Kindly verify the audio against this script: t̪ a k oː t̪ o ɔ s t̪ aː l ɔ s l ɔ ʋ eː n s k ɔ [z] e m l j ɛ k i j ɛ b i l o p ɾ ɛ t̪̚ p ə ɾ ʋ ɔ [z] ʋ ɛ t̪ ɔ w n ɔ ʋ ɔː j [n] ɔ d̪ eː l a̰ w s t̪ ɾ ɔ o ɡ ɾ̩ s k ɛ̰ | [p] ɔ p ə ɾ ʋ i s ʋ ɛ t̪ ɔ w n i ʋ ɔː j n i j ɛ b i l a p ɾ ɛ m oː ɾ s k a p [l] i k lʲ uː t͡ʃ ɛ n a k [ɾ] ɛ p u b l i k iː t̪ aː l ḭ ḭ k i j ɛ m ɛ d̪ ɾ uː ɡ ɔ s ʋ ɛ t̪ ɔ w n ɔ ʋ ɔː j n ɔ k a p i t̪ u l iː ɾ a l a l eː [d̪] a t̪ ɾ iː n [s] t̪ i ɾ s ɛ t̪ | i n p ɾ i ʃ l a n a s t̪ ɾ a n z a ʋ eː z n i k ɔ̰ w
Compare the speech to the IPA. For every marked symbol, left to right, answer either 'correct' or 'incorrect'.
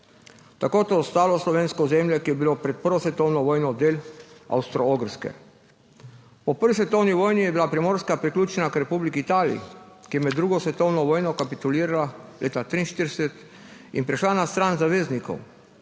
correct, incorrect, correct, correct, incorrect, correct, incorrect, incorrect

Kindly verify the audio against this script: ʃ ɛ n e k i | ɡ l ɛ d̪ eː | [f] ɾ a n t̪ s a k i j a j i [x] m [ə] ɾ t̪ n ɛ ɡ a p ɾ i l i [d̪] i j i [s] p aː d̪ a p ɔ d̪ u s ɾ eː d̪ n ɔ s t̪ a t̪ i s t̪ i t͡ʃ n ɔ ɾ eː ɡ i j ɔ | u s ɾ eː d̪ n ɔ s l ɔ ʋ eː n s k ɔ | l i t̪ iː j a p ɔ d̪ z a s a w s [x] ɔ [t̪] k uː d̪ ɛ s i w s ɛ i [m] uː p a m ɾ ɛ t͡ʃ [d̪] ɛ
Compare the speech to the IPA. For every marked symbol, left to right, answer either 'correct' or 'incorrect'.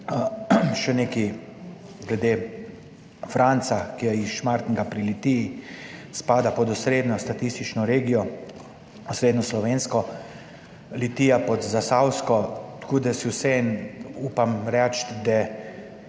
correct, incorrect, incorrect, incorrect, correct, incorrect, correct, incorrect, correct

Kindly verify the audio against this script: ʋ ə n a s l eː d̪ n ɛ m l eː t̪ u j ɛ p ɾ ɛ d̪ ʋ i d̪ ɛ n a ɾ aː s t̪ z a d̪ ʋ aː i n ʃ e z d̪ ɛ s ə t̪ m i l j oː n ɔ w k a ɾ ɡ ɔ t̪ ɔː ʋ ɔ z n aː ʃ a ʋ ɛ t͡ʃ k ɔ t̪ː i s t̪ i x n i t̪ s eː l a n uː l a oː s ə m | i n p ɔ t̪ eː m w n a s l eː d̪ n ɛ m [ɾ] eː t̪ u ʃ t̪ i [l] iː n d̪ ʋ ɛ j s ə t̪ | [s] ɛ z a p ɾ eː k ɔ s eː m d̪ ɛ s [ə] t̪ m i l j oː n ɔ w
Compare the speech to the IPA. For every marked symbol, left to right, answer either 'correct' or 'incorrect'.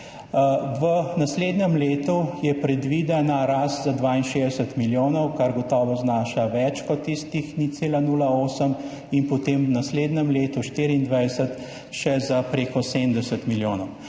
incorrect, incorrect, incorrect, correct

